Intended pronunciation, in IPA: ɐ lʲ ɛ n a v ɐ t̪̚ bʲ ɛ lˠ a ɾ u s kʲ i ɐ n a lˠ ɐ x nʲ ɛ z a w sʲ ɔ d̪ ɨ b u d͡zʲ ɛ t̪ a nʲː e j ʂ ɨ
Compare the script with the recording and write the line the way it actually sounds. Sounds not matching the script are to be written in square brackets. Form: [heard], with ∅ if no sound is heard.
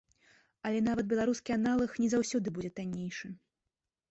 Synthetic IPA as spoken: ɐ lʲ ɛ n a v ɐ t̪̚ bʲ ɛ lˠ a ɾ u s kʲ i [a] n a lˠ ɐ x nʲ ɛ z a w sʲ ɔ d̪ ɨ b u d͡zʲ ɛ t̪ a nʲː e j ʂ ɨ